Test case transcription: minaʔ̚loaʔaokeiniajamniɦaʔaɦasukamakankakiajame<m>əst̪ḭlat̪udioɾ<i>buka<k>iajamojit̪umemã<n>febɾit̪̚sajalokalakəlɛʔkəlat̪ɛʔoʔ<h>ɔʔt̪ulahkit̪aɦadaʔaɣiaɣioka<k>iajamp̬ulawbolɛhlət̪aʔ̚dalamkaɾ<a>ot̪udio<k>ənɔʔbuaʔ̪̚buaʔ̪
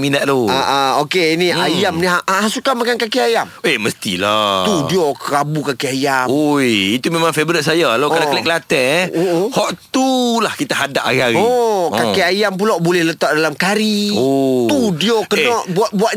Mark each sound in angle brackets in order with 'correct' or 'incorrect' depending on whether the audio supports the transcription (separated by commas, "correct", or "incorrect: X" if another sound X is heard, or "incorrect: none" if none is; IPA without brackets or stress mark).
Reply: correct, incorrect: a, correct, incorrect: ŋ, correct, correct, incorrect: i, correct